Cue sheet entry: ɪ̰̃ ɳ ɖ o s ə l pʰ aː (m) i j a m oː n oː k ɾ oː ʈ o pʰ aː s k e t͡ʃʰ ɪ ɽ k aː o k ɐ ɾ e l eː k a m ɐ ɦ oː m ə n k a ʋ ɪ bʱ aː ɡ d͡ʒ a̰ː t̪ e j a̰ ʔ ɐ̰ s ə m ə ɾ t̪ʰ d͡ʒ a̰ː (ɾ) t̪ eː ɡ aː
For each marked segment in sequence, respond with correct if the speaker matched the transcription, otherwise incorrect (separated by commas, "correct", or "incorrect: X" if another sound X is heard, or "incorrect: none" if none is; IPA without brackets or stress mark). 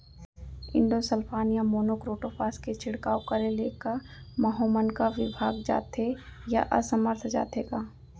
incorrect: n, incorrect: none